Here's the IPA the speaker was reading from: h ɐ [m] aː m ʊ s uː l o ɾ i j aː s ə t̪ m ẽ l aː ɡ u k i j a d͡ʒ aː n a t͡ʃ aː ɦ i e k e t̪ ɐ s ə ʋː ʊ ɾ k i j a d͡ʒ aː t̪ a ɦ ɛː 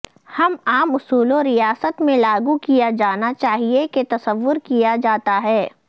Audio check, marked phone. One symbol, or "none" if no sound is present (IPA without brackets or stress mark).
m